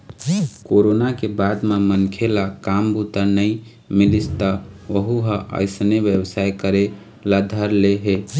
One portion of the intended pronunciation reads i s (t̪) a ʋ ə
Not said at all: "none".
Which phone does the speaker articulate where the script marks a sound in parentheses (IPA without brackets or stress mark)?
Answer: t̪